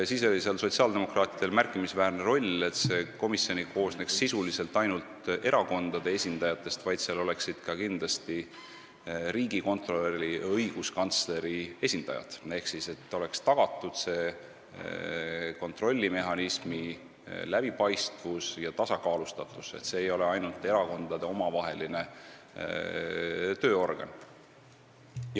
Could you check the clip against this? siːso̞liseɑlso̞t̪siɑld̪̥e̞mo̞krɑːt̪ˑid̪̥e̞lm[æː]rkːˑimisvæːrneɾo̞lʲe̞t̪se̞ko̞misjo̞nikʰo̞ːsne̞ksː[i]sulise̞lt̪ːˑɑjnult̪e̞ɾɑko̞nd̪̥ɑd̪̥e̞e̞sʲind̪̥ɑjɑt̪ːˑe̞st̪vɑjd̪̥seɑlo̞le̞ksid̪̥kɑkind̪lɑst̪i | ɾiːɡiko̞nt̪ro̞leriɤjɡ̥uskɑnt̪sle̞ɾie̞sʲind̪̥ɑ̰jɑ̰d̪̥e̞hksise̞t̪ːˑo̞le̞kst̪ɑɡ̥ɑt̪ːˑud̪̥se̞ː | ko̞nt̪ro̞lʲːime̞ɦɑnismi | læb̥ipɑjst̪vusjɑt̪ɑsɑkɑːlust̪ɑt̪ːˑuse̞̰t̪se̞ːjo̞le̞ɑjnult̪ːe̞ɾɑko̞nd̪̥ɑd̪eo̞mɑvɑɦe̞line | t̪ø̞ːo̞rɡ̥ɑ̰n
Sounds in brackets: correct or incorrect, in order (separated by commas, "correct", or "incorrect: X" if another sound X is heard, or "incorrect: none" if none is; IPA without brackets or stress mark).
incorrect: æ, correct